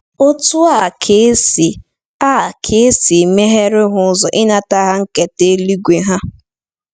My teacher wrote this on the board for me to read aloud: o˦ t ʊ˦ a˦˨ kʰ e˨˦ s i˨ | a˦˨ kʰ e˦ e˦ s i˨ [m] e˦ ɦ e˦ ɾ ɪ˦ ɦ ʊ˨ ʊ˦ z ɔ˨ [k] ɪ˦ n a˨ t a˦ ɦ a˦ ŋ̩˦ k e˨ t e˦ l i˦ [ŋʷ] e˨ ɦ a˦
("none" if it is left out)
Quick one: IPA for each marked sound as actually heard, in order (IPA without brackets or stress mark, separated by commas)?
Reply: m, ʔ, ɡʷ